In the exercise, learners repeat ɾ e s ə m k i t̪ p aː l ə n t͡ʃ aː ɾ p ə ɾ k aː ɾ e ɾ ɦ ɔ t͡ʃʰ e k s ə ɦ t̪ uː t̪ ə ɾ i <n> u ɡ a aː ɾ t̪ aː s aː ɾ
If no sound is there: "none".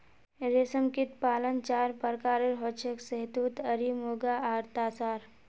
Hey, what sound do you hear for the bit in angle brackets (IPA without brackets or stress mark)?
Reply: m